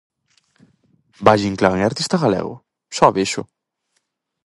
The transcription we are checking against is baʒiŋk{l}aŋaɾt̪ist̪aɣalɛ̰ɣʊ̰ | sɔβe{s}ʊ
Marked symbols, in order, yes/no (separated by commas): yes, no